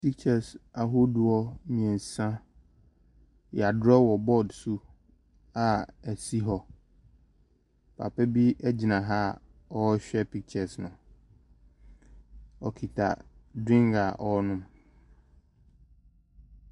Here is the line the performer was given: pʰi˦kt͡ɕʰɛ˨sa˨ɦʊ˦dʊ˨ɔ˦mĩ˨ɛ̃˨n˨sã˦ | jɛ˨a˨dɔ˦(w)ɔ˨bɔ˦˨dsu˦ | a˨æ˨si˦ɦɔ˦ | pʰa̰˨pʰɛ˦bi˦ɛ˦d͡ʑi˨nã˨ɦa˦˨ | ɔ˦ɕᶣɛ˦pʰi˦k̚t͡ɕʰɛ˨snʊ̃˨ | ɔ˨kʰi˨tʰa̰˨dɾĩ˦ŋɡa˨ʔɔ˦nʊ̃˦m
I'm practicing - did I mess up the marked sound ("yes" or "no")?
no